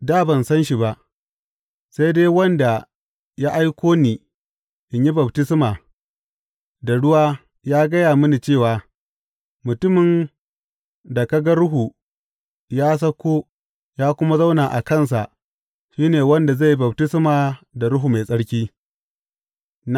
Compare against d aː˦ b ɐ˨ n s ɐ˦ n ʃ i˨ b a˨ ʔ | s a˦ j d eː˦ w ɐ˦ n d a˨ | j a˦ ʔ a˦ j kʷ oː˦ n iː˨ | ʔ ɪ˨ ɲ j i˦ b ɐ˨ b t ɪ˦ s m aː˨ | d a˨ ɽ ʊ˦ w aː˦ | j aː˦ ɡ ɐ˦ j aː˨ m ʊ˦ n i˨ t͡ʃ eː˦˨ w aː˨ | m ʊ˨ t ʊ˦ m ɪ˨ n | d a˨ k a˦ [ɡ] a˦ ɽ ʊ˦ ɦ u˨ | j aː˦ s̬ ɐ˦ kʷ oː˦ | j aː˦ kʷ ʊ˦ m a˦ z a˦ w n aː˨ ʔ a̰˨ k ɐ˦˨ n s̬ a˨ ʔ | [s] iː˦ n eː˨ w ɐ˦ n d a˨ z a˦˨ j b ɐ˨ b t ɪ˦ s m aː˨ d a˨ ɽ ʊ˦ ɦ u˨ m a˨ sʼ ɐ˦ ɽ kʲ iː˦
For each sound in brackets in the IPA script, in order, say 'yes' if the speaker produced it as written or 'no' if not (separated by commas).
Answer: yes, no